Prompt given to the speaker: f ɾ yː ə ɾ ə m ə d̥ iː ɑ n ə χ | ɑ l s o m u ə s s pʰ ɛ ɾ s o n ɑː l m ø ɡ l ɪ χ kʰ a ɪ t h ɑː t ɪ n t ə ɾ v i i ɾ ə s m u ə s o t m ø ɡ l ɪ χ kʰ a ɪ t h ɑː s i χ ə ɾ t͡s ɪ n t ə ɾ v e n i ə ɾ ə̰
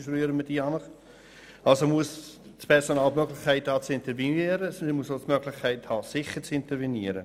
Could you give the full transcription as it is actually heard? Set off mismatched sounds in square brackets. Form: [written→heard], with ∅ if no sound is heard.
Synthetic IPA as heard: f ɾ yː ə ɾ ə m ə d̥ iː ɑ n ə χ | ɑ l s o m u ə s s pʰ ɛ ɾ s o n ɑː l m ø ɡ l ɪ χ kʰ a ɪ t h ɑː [t→t͡s] ɪ n t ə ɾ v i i ɾ ə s m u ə s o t m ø ɡ l ɪ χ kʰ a ɪ t h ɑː s [i→ɪ] χ ə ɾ t͡s ɪ n t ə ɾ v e n i ə ɾ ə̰